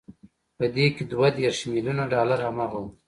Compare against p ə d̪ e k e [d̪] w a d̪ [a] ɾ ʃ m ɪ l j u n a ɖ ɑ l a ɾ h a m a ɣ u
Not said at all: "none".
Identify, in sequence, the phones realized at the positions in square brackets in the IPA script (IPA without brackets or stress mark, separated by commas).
d̪, e